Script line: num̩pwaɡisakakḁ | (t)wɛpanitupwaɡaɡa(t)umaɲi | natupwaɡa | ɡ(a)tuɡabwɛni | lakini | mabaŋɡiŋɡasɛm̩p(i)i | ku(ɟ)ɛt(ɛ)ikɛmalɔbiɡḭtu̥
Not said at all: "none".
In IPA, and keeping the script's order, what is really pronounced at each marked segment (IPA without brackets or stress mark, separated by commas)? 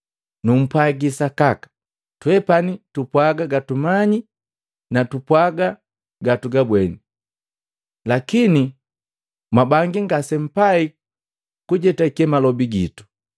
t, t, a, a, ɟ, a